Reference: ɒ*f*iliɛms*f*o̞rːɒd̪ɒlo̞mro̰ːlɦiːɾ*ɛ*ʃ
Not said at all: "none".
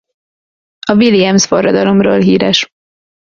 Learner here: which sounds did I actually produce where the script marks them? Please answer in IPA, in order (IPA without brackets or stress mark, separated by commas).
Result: v, f, ɛ